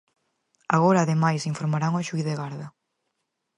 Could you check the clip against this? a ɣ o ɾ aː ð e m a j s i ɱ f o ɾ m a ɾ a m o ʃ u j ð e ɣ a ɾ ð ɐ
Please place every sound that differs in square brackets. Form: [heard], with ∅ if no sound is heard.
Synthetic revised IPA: a ɣ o ɾ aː ð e m a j s i ɱ f o ɾ m a ɾ a [ŋ] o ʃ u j ð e ɣ a ɾ ð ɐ